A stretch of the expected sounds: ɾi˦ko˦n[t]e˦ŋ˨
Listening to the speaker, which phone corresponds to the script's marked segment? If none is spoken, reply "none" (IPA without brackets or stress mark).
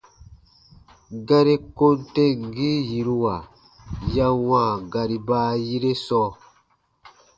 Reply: t